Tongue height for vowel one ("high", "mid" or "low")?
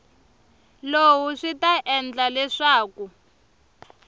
mid